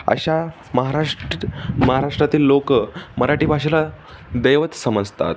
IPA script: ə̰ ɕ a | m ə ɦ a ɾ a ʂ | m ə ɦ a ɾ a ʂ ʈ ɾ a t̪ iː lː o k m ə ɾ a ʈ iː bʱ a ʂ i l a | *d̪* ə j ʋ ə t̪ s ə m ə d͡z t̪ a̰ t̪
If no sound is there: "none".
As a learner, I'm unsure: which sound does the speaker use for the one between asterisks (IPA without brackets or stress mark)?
d̪